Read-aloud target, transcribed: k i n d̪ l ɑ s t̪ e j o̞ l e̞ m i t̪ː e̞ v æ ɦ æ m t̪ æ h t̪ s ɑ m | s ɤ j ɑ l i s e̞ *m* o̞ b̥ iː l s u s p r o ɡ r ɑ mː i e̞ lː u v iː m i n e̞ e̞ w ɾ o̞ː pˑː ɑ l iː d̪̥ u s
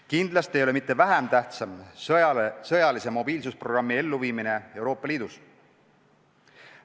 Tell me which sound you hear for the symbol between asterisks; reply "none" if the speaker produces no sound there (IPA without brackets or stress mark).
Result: m